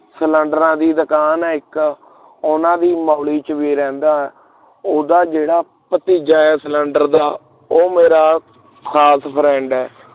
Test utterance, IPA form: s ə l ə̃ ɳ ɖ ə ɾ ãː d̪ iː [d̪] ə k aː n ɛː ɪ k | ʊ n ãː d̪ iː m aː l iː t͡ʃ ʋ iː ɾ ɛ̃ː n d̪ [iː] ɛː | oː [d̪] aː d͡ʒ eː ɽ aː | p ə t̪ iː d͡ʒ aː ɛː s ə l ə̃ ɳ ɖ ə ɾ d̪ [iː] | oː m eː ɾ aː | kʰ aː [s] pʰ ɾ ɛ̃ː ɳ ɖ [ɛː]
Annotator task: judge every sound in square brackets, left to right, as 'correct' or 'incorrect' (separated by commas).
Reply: correct, incorrect, correct, incorrect, correct, correct